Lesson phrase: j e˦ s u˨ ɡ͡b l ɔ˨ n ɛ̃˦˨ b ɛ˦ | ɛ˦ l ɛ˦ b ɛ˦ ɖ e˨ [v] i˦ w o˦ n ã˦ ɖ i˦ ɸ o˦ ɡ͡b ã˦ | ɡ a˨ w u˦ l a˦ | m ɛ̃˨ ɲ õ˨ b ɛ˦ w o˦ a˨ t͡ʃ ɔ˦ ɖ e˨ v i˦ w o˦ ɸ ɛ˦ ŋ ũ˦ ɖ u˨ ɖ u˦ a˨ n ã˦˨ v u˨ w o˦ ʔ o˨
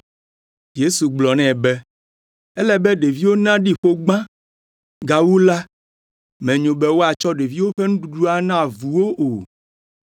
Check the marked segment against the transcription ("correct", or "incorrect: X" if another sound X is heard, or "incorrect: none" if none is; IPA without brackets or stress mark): correct